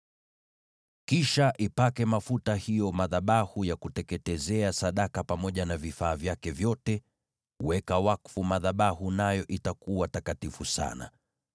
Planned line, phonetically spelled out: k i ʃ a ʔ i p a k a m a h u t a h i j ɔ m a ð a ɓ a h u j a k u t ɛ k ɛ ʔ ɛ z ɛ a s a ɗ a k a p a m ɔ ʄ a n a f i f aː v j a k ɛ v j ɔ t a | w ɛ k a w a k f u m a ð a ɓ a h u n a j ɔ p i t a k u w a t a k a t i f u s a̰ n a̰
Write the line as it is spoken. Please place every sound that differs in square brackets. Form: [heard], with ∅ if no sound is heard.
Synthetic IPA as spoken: k i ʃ a ʔ i p a k [ɛ] m a [f] u t a h i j ɔ m a ð a ɓ a h u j a k u t ɛ k ɛ [t] ɛ z ɛ a s a ɗ a k a p a m ɔ ʄ a n a [v] i f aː v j a k ɛ v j ɔ t [ɛ] | w ɛ k a w a k f u m a ð a ɓ a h u n a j ɔ [ʔ] i t a k u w a t a k a t i f u s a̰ n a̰